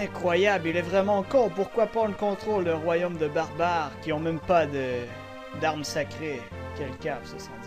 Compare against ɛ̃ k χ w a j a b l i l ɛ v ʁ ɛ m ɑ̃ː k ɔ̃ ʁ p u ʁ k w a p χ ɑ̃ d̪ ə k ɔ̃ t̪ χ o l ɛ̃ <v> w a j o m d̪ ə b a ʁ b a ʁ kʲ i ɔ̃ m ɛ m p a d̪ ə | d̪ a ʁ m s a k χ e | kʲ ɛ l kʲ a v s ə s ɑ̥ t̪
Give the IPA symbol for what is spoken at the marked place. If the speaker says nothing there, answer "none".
ʁ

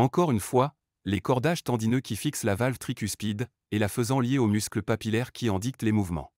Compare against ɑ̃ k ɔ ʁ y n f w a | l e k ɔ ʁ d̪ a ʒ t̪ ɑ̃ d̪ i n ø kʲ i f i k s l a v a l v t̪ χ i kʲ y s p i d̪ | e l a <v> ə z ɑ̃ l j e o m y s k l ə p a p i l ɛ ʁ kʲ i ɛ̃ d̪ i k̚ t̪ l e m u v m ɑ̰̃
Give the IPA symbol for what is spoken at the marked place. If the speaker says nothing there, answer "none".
f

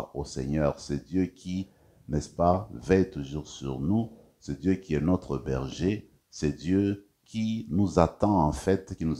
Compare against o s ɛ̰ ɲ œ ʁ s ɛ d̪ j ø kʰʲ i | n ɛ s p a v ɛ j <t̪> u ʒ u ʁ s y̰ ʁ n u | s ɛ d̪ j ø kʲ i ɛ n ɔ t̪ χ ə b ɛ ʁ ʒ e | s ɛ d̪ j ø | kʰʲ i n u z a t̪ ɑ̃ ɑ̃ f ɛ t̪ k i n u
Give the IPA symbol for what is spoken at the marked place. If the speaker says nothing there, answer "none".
t̪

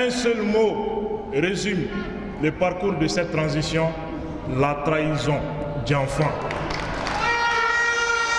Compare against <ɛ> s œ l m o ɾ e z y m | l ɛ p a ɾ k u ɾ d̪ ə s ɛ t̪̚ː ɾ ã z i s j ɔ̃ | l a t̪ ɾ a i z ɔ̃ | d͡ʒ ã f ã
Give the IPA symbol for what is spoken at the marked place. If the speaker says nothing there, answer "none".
ɛ̃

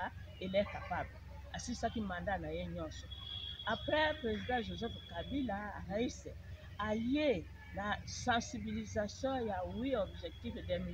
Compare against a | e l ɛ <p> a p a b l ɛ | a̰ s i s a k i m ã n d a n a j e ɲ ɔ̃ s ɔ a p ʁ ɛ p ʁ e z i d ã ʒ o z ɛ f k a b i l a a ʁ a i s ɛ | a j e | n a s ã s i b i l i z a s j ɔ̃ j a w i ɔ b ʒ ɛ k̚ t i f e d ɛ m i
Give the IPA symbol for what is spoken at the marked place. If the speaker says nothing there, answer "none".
k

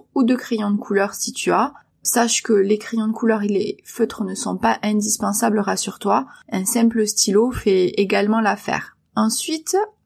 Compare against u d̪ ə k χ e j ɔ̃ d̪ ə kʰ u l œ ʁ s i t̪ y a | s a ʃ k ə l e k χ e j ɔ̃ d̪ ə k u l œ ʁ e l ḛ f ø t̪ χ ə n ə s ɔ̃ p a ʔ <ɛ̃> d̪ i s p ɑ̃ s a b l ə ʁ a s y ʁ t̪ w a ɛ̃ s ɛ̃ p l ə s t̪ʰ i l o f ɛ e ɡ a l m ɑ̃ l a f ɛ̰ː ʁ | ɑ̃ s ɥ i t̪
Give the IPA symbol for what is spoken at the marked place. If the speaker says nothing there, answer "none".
ɛ̃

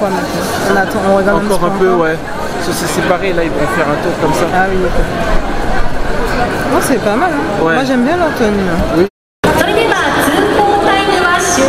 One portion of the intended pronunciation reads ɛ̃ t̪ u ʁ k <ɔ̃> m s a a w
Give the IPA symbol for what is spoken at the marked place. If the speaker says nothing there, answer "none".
ɔ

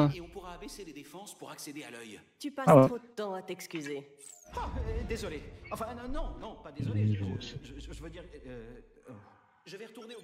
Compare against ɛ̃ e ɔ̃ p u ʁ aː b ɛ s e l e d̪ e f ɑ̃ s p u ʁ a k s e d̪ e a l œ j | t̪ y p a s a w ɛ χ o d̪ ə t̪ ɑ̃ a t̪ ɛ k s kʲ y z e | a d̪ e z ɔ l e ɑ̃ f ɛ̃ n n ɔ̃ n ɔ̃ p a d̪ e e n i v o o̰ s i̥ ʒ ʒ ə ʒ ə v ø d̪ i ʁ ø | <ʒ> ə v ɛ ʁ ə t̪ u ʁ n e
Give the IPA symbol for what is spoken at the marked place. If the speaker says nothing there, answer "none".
ʒ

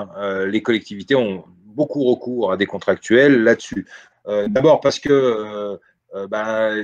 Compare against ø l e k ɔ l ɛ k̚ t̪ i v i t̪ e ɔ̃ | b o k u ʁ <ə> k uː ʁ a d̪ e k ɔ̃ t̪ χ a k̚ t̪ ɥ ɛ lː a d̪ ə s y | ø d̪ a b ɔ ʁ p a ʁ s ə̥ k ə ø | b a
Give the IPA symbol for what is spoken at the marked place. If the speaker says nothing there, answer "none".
ə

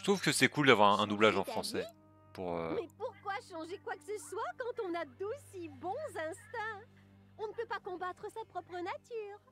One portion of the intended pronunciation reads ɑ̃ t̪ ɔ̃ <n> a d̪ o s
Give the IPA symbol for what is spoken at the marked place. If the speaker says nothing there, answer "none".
n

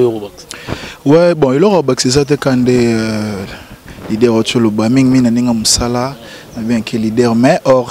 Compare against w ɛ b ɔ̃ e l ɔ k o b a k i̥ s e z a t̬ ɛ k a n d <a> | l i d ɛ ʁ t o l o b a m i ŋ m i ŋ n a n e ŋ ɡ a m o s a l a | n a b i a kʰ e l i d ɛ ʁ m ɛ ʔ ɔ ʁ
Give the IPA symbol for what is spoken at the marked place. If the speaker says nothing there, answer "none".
e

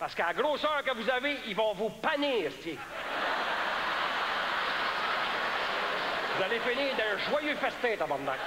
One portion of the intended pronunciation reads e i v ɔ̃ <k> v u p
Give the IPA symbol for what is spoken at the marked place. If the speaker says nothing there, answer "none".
none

